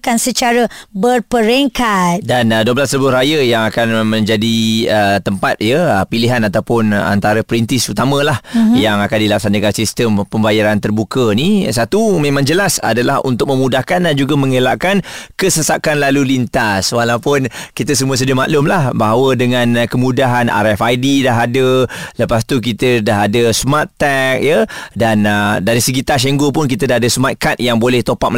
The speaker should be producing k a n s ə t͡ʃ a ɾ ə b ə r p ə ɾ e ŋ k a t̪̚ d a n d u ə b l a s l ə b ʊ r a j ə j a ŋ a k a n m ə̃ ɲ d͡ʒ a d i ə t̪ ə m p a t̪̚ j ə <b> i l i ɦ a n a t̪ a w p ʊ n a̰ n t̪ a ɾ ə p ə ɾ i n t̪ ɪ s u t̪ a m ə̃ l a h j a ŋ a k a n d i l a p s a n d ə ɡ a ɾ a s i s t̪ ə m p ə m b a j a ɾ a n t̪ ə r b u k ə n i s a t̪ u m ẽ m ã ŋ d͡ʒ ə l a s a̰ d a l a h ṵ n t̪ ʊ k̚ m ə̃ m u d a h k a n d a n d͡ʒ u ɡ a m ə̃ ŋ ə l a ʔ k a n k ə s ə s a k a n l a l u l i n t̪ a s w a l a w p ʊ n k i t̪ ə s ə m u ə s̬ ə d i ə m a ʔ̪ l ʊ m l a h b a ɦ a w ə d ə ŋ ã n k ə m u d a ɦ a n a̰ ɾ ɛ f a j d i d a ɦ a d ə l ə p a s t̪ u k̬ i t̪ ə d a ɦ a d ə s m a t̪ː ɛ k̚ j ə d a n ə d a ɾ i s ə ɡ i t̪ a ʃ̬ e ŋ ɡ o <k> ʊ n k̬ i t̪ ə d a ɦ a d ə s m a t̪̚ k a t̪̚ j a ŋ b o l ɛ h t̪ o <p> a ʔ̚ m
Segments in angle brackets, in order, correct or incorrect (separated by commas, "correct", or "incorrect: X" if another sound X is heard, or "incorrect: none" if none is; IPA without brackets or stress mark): incorrect: p, incorrect: p, correct